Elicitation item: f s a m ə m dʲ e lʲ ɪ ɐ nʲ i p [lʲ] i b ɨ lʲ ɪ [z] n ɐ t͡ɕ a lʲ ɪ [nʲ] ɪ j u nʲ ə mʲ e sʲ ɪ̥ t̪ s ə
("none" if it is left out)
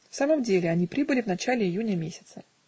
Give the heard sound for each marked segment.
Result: ɾʲ, v, none

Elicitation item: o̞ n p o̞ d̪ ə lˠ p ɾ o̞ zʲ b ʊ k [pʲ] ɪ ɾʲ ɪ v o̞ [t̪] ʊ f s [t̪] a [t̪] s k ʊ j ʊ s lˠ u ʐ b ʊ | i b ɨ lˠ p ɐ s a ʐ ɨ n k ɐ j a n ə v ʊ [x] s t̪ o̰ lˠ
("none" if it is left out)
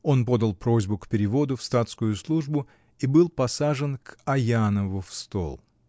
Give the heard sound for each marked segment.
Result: pʲ, d̪, t̪, t̪, f

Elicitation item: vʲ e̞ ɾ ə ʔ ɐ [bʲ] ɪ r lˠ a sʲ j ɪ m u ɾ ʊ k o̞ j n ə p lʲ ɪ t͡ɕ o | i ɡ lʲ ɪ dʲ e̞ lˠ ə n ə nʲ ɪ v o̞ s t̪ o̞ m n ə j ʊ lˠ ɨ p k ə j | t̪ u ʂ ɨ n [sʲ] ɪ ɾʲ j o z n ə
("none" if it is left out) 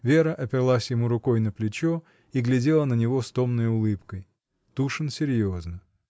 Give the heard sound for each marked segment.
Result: pʲ, sʲ

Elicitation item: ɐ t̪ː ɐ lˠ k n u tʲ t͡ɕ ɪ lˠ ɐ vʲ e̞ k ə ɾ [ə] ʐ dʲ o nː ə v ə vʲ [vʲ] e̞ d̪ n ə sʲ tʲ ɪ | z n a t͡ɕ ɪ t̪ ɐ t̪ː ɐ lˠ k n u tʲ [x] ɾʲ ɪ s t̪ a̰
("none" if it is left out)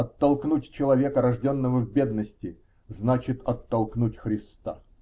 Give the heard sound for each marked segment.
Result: ɐ, bʲ, x

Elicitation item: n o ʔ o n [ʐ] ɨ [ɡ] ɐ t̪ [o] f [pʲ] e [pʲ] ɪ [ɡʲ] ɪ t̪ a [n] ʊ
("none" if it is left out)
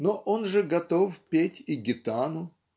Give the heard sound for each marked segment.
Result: ʐ, ɡ, o, pʲ, tʲ, ɡʲ, n

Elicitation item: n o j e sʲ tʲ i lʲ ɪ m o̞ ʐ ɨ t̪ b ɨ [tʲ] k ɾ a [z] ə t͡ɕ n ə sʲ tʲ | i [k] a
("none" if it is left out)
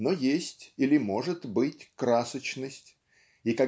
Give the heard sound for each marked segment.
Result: tʲ, s, k

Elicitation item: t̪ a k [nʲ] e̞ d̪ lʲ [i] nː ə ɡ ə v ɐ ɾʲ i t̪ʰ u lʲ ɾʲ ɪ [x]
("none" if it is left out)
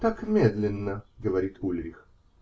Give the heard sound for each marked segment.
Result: mʲ, ɪ, x

